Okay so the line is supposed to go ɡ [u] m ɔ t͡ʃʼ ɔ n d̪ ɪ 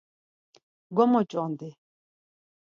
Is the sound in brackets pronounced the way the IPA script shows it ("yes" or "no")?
no